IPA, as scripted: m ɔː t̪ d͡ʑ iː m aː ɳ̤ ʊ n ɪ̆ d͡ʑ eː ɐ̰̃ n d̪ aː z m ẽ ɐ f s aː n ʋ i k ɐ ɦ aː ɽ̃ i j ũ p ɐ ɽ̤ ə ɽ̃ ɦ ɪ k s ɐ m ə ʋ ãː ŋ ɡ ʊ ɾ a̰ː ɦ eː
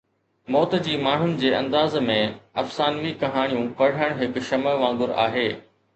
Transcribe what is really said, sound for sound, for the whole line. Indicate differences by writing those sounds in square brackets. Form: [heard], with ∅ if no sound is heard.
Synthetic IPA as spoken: m ɔː t̪ d͡ʑ iː m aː ɳ̤ ʊ n ɪ̆ d͡ʑ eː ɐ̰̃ n d̪ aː z m ẽ ɐ f s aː n ʋ i k ɐ ɦ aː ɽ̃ i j ũ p ɐ ɽ̤ ə ɽ̃ ɦ ɪ k [ʃ] ɐ m ə ʋ ãː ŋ ɡ ʊ ɾ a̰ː ɦ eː